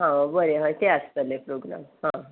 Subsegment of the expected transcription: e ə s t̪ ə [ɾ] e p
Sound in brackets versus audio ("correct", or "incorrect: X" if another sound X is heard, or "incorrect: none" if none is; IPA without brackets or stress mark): incorrect: l